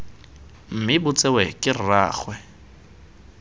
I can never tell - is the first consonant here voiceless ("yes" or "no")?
no